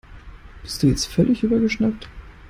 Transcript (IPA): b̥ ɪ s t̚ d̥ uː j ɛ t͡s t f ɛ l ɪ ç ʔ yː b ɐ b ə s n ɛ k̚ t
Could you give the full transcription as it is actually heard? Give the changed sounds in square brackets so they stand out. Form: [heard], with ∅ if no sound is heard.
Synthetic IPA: b̥ ɪ s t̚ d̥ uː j ɛ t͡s t f [œ] l ɪ ç ʔ yː b ɐ [ɡ] ə [ʃ] n [a] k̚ t